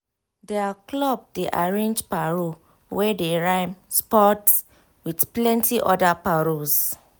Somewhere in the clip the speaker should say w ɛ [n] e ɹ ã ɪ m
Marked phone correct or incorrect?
incorrect